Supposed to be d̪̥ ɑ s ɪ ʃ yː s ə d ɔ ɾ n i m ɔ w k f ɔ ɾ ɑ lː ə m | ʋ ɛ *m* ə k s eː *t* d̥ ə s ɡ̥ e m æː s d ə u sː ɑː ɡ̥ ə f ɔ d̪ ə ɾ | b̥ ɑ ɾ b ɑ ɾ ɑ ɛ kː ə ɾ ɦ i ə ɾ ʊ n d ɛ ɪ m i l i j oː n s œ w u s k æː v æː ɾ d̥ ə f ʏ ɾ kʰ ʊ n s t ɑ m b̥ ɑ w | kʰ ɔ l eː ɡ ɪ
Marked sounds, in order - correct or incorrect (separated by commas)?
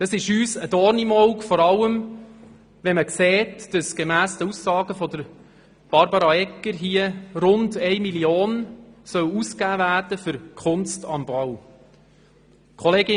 correct, correct